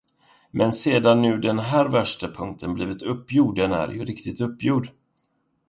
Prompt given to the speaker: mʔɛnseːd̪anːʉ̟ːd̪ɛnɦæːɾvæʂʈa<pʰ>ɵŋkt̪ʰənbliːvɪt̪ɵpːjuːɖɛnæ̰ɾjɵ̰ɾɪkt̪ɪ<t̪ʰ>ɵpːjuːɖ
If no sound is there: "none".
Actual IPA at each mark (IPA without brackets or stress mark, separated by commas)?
pʰ, t̪